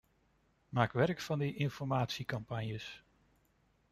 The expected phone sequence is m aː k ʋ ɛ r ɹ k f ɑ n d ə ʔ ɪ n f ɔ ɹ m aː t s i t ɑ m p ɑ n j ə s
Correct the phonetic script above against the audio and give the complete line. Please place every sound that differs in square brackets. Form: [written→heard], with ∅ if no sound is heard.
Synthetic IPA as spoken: m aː k ʋ ɛ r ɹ k f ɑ n d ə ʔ ɪ n f ɔ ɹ m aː t s i [t→k] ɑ m p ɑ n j ə s